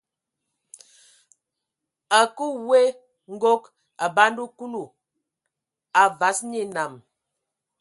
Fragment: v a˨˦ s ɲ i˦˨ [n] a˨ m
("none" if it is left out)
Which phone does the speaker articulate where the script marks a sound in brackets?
n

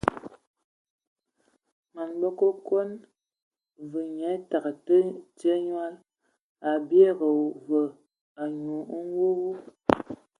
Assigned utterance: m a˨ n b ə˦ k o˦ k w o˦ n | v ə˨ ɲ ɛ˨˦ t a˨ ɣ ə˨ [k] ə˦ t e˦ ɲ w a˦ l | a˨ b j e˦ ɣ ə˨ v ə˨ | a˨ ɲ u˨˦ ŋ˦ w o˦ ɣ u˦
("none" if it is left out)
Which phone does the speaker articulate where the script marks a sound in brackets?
t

